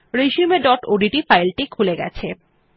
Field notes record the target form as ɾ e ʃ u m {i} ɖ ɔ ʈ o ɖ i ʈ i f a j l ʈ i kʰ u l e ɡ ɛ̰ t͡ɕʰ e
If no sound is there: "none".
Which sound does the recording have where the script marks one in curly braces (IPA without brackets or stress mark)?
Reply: e